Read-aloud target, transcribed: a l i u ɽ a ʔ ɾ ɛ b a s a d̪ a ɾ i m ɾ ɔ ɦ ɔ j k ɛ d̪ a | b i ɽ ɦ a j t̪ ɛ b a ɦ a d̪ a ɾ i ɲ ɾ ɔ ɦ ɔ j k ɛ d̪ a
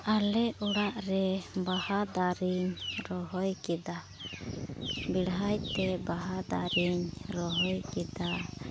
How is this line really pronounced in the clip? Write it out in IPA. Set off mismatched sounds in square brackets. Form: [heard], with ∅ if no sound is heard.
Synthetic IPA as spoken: a l [ɛ] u ɽ a ʔ ɾ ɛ b a [h] a d̪ a ɾ i [ɲ] ɾ ɔ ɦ ɔ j k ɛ d̪ a | b i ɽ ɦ a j t̪ ɛ b a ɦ a d̪ a ɾ i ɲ ɾ ɔ ɦ ɔ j k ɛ d̪ a